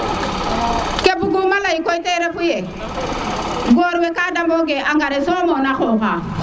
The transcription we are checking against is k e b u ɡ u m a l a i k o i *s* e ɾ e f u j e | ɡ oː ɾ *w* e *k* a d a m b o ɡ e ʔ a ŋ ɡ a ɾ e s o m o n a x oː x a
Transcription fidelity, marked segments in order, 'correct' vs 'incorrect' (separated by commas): incorrect, correct, correct